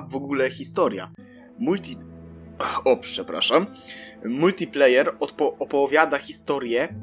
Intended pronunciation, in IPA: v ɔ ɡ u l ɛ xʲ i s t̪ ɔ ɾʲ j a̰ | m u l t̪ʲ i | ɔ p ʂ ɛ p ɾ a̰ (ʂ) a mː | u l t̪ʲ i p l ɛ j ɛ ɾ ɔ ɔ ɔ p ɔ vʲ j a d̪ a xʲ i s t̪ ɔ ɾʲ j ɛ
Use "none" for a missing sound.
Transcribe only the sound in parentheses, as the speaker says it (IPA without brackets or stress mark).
ʂ